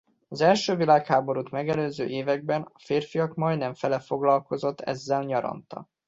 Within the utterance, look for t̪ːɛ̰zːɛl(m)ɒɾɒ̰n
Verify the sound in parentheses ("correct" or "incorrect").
incorrect